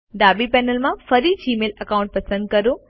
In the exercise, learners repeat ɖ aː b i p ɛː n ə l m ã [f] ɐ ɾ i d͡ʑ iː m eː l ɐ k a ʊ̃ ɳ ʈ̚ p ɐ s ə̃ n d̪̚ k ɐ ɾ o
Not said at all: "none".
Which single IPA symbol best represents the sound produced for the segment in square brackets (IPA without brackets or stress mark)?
f